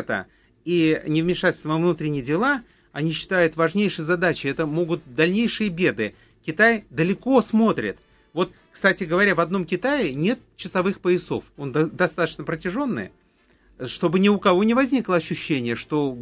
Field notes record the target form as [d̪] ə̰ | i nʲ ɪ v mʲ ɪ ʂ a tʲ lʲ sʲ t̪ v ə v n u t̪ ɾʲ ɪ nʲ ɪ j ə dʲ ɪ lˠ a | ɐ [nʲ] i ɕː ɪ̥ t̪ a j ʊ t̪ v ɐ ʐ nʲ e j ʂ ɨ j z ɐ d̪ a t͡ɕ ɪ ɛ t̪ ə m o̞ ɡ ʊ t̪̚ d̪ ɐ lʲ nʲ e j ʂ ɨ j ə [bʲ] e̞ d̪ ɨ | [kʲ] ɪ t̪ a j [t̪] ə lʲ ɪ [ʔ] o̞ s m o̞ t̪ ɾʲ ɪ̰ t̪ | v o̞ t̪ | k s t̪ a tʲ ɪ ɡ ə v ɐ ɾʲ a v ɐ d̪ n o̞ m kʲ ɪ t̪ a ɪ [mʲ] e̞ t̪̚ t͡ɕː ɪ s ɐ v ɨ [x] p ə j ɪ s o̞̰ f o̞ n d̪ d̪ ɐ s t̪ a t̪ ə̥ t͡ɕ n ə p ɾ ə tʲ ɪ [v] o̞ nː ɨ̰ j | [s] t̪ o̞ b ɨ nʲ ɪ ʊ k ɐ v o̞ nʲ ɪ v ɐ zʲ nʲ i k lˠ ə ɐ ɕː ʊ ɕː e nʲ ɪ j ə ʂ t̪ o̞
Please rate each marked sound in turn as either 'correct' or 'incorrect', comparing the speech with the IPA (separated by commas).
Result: incorrect, correct, correct, correct, incorrect, incorrect, incorrect, correct, incorrect, incorrect